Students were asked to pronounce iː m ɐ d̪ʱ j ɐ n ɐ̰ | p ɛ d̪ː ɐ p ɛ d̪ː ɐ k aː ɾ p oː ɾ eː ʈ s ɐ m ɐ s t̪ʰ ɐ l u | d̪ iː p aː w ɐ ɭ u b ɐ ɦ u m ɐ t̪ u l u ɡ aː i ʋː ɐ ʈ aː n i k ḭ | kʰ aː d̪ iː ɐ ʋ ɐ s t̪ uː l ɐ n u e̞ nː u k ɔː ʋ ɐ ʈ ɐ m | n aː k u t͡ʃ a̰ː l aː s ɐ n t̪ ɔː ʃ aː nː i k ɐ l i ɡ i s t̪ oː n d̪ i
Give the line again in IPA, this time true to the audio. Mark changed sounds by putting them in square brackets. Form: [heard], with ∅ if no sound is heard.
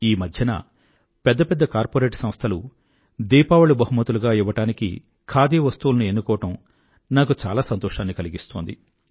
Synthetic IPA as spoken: iː m ɐ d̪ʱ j ɐ n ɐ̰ | p ɛ d̪ː ɐ p ɛ d̪ː ɐ k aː ɾ p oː ɾ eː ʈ s ɐ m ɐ s t̪ʰ ɐ l u | d̪ iː p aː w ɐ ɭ u b ɐ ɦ u m ɐ t̪ u l u ɡ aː i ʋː ɐ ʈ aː n i k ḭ | kʰ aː d̪ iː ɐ ʋ ɐ s t̪ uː l ɐ n u e̞ nː u k ɔː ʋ ɐ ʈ ɐ m | n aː k u t͡ʃ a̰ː l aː s ɐ n t̪ ɔː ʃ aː nː i k ɐ l i ɡ i s t̪ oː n d̪ i

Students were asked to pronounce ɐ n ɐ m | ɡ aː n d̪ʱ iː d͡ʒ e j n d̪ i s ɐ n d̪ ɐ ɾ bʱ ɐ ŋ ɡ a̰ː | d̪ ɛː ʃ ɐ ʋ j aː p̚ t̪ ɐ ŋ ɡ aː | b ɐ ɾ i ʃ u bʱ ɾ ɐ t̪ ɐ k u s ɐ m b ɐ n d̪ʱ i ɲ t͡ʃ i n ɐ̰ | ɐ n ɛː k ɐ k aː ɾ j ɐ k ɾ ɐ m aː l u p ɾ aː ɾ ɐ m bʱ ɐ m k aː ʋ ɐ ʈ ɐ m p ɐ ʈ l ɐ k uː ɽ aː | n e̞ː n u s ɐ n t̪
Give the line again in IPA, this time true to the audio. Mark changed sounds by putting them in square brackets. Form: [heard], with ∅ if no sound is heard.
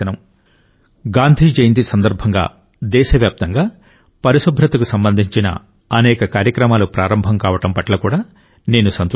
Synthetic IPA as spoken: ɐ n ɐ m | ɡ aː n d̪ʱ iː d͡ʒ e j n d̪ i s ɐ n d̪ ɐ ɾ bʱ ɐ ŋ ɡ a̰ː | d̪ ɛː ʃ ɐ ʋ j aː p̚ t̪ ɐ ŋ ɡ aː | [p] ɐ ɾ i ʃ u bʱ ɾ ɐ t̪ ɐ k u s ɐ m b ɐ n d̪ʱ i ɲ t͡ʃ i n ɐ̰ | ɐ n ɛː k ɐ k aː ɾ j ɐ k ɾ ɐ m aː l u p ɾ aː ɾ ɐ m bʱ ɐ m k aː ʋ ɐ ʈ ɐ m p ɐ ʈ l ɐ k uː ɽ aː | n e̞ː n u s ɐ n t̪

